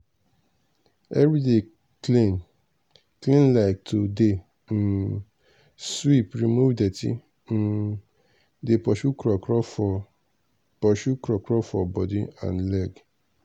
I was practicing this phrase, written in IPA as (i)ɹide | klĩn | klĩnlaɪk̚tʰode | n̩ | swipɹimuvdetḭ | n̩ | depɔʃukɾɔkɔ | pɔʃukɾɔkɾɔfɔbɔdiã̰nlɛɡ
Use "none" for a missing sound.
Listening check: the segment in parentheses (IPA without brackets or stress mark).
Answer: ɛ